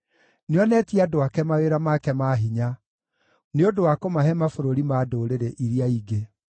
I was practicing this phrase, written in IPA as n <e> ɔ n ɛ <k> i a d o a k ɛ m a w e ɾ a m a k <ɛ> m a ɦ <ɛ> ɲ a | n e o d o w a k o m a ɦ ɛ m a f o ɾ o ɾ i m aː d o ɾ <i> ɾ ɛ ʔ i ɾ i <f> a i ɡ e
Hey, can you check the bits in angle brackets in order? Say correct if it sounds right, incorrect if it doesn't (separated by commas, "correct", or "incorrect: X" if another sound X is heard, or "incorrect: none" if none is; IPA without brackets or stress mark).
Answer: correct, incorrect: t, correct, incorrect: i, incorrect: e, incorrect: none